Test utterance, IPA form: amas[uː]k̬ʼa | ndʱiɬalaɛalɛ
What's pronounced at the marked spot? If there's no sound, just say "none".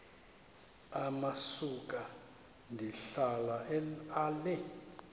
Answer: u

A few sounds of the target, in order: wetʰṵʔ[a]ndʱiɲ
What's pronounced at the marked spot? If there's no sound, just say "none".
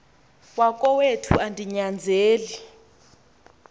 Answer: a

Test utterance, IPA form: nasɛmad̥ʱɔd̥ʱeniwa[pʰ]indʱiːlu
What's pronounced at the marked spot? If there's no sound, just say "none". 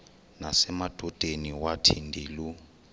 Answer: tʰ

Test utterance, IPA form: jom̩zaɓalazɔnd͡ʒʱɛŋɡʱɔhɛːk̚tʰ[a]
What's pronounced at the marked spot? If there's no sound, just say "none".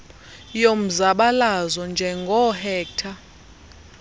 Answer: a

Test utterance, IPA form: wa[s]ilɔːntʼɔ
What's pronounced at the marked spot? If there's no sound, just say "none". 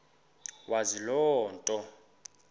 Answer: z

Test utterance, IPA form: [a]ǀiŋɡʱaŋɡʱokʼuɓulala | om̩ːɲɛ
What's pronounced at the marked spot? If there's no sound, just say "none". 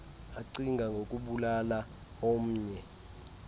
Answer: a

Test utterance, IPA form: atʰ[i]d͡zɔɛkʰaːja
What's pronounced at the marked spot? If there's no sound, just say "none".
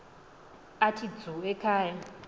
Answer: i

